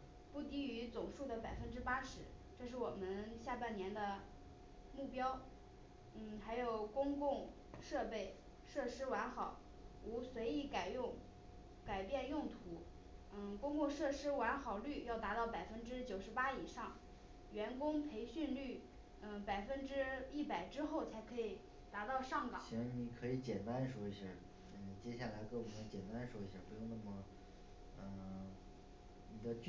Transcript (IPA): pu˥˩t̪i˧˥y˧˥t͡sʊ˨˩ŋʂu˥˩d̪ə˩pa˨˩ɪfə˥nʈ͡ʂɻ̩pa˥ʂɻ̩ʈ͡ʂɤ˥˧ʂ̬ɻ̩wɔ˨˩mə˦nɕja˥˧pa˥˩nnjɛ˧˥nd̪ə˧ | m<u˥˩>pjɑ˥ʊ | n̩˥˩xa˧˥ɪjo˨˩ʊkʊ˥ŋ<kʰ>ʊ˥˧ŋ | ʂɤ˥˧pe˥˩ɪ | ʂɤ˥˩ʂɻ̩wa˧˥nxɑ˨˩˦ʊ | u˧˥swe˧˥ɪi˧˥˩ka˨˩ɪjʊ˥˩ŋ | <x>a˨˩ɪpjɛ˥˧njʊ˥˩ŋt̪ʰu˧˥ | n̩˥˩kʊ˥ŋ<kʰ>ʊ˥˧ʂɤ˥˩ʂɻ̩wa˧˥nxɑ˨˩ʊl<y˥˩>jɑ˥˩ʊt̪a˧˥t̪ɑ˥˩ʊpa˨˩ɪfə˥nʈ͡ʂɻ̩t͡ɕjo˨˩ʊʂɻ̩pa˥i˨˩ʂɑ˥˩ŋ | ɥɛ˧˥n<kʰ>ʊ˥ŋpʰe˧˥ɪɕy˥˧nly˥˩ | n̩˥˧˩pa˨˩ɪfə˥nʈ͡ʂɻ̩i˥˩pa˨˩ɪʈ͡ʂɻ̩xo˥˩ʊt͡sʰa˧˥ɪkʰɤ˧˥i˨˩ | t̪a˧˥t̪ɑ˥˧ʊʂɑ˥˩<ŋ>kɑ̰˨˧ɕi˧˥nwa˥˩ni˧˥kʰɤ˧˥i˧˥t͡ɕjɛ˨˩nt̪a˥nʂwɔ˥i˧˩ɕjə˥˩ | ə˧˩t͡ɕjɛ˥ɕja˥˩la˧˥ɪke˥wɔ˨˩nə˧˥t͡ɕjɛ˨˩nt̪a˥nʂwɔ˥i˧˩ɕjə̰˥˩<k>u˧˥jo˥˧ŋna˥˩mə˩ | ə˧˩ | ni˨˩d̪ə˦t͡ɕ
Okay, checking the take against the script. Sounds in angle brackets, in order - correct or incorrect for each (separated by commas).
correct, incorrect, incorrect, incorrect, correct, incorrect, correct, incorrect